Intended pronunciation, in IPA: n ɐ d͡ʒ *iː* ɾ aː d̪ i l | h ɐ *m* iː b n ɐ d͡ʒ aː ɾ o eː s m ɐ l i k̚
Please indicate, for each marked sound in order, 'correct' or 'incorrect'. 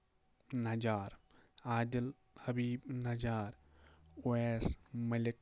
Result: incorrect, incorrect

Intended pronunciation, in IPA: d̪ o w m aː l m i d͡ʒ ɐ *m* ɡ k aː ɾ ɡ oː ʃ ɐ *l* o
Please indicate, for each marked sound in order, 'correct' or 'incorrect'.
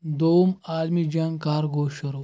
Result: incorrect, incorrect

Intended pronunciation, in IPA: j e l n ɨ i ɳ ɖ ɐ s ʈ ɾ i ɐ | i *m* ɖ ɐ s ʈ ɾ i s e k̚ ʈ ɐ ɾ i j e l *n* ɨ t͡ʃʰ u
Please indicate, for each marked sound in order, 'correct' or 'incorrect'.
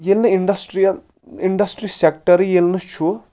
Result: incorrect, correct

